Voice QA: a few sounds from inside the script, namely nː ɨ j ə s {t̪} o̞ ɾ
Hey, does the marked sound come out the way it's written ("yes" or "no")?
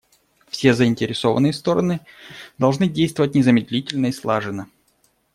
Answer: yes